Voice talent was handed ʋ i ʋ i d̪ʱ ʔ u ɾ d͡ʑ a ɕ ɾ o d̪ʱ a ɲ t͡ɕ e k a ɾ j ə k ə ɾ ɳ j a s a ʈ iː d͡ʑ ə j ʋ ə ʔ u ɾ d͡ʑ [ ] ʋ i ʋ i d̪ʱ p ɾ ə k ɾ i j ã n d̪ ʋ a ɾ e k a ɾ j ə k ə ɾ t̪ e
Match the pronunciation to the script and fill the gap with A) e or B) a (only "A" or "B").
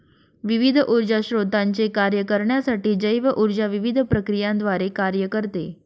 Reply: B